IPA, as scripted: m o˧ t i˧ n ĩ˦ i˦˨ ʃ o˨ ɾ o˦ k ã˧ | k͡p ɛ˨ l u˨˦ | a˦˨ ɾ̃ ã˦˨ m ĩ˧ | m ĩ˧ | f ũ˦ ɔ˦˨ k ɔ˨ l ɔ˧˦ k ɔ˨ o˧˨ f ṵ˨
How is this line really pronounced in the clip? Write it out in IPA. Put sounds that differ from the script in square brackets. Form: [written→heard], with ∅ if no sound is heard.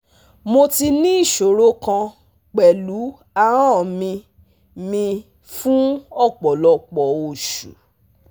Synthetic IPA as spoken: m o˧ t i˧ n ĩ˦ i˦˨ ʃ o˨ ɾ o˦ k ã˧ | k͡p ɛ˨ l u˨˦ | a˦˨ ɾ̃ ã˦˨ m ĩ˧ | m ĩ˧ | f ũ˦ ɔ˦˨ [k→k͡p] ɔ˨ l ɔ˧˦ [k→k͡p] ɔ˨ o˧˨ [f→ʃ] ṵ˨